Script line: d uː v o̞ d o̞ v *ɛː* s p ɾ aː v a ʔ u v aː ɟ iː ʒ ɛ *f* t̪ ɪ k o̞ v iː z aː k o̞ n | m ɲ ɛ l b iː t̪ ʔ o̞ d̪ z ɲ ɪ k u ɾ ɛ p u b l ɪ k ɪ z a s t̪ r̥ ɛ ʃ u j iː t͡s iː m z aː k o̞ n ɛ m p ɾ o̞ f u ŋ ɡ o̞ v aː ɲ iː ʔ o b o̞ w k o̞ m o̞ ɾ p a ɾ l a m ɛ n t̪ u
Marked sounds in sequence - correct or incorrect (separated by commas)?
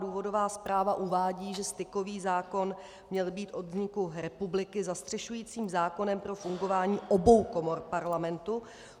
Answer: incorrect, incorrect